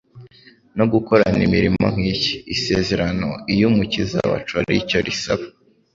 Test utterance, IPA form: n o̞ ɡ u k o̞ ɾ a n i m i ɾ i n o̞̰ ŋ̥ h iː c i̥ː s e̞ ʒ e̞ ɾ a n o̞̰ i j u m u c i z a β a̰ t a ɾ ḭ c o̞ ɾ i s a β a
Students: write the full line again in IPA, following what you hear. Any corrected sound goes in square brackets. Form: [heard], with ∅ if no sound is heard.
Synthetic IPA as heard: n o̞ ɡ u k o̞ ɾ a n i m i ɾ i [m] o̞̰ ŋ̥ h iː c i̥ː s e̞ [z] e̞ ɾ a n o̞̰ i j u m u c i z a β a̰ [t͡ʃ] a ɾ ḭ c o̞ ɾ i s a β a